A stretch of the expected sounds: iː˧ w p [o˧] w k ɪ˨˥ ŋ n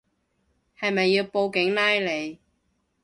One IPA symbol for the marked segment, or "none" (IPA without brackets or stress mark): o˧